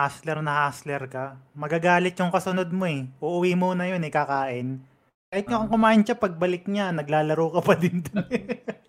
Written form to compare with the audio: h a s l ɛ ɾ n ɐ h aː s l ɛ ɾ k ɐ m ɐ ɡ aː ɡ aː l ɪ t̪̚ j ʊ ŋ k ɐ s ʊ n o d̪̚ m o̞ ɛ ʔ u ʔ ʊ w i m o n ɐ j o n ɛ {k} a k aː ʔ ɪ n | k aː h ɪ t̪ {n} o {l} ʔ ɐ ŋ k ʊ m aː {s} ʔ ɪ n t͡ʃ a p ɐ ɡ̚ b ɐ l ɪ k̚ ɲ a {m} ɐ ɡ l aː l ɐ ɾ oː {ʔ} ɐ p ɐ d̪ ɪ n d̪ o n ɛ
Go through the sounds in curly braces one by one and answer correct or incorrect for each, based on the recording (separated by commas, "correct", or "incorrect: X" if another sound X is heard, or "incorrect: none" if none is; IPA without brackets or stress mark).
correct, incorrect: ɲ, incorrect: none, incorrect: none, incorrect: n, incorrect: k